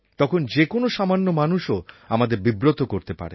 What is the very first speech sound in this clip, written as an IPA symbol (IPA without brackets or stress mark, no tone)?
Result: t̪